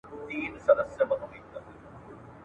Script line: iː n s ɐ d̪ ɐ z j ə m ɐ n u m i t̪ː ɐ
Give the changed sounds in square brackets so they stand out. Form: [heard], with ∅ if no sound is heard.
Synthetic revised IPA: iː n s ɐ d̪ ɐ [s] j [ɐ] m ɐ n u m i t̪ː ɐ